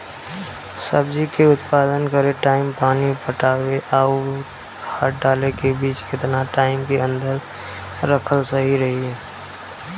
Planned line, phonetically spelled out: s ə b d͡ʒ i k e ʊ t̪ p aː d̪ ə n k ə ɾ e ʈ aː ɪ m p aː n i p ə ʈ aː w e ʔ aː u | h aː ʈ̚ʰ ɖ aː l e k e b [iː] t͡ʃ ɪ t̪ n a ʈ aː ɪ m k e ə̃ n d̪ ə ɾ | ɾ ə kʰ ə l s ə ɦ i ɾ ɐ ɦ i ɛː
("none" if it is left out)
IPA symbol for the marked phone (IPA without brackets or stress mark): iː